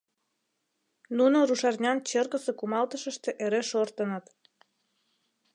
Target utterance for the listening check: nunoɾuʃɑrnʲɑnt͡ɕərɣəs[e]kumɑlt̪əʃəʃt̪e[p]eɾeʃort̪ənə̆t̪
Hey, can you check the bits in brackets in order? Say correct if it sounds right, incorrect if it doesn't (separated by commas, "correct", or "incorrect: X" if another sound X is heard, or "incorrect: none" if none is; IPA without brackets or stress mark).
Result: correct, incorrect: ʔ